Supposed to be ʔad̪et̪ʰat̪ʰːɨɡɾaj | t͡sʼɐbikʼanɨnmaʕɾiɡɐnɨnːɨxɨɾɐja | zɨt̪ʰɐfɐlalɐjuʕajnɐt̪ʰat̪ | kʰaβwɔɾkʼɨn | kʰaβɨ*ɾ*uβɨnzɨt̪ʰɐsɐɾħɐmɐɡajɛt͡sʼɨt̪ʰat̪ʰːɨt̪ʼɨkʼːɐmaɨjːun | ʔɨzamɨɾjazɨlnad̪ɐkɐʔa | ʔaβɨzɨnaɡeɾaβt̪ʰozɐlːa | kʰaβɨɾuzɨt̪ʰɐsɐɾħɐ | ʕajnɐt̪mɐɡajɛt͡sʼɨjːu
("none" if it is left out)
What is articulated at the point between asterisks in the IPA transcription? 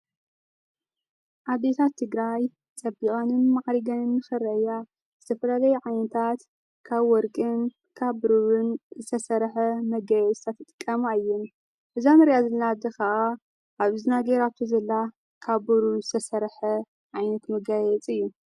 ɾ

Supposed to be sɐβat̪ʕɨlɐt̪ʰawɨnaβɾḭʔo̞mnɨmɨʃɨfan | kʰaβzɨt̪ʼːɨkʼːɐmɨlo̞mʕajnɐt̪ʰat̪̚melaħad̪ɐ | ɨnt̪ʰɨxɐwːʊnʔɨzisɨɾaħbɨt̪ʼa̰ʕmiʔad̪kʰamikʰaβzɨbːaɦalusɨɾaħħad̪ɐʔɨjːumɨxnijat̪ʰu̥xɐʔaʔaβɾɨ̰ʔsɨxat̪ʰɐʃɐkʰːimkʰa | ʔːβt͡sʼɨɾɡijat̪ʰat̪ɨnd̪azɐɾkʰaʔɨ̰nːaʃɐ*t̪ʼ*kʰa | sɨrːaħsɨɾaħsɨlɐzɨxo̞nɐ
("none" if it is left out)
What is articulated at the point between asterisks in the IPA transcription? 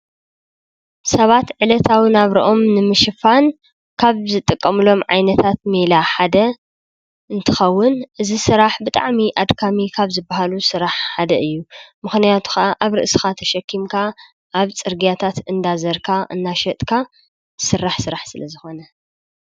t̪ʼ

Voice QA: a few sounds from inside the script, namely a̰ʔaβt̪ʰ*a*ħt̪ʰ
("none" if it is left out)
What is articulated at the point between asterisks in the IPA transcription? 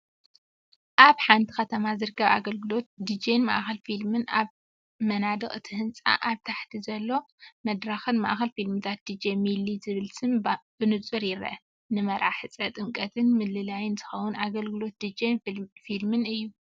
a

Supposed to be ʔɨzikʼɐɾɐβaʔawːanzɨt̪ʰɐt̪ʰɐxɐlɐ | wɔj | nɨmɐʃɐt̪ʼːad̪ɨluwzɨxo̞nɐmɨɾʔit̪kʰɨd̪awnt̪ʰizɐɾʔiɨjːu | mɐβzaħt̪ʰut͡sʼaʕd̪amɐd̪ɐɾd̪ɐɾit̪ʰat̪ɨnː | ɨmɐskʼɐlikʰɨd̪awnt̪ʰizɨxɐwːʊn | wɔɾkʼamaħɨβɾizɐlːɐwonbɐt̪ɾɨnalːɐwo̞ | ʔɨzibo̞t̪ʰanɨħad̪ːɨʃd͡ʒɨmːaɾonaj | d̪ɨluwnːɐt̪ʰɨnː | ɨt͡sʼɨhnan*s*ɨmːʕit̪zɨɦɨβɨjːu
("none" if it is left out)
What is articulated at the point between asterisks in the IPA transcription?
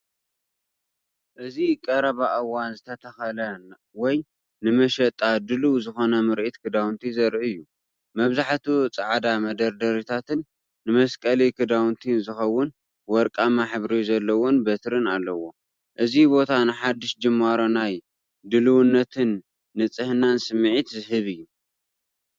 s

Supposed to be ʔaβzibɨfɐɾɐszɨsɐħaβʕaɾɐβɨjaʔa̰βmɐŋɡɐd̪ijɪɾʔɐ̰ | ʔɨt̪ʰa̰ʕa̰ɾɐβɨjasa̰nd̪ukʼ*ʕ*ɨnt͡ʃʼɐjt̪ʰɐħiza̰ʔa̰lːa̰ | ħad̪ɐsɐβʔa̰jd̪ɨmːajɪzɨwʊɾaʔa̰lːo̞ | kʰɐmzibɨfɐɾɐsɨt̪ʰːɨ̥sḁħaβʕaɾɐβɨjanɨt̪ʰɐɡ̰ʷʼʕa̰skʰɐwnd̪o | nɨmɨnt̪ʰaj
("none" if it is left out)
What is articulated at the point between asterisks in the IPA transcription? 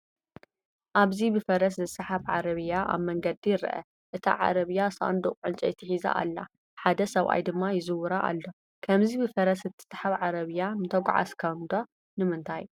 ʕ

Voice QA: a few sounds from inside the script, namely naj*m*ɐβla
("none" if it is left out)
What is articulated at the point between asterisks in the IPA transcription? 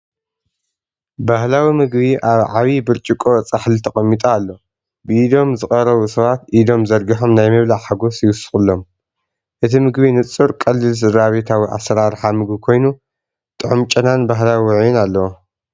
m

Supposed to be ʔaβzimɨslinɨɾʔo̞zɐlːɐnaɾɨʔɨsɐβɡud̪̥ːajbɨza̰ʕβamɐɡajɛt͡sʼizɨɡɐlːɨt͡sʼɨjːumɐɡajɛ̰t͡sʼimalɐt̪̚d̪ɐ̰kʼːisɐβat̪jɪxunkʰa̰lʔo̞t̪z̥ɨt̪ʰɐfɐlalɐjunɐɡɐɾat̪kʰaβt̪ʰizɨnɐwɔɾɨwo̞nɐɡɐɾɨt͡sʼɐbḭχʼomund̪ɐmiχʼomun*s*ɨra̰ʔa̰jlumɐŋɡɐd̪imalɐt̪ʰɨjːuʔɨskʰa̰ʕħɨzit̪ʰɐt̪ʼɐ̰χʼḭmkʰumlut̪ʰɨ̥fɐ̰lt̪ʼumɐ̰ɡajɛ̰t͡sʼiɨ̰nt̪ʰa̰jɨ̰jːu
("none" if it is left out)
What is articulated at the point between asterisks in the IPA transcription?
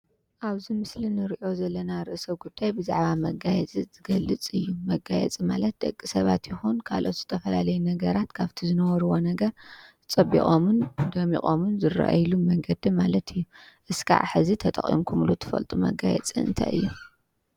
z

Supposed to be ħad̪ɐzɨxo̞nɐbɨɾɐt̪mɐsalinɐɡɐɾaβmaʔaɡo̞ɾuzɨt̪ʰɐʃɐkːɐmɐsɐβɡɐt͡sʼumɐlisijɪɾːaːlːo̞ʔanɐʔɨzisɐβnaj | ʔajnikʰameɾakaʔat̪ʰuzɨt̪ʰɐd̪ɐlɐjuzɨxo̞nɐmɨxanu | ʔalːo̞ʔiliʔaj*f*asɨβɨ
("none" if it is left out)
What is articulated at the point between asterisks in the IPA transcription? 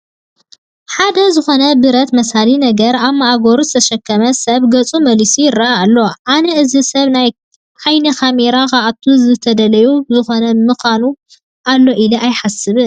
ħ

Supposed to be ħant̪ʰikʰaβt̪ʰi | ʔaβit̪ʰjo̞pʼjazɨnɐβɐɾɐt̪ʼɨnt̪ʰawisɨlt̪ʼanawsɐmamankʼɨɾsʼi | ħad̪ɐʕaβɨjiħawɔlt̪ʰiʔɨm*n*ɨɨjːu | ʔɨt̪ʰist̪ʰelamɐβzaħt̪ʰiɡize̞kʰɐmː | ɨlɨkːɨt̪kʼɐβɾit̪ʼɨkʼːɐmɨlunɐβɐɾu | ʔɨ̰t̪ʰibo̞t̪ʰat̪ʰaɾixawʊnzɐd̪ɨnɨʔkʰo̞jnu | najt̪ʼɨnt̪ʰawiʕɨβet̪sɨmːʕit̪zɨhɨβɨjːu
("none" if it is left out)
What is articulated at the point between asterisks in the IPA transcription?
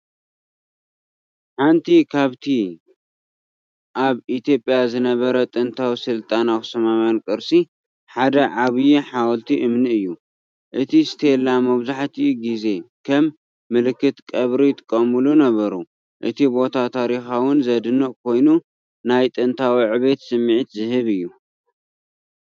n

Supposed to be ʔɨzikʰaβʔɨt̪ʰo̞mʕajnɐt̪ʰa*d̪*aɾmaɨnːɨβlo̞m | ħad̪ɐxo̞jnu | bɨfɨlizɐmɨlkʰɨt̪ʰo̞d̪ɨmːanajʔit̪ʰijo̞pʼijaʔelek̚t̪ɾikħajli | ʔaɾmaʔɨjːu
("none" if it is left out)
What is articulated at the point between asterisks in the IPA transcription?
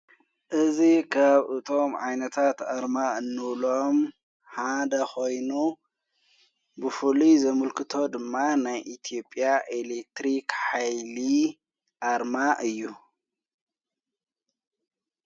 t̪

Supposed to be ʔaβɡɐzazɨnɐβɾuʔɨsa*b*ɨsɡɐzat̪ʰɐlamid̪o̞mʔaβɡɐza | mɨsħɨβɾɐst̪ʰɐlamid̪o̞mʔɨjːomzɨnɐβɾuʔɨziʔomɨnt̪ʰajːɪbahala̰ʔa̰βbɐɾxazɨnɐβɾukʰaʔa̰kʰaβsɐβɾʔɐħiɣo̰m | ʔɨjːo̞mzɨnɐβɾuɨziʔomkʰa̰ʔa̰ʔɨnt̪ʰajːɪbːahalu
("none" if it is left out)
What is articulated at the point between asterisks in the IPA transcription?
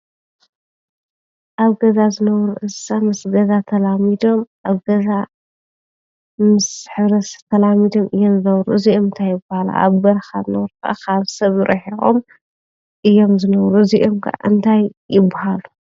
m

